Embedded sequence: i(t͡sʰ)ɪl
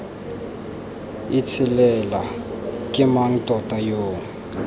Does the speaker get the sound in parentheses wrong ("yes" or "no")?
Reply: no